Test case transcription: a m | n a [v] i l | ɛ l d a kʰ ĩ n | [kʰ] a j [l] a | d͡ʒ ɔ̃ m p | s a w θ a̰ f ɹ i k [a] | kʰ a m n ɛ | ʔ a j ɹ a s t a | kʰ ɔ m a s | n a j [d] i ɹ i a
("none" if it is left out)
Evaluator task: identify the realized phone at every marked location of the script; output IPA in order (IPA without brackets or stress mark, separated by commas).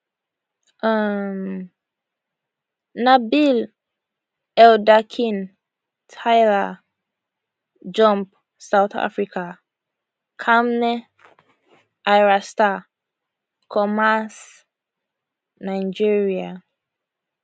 b, tʰ, l, a, d͡ʒ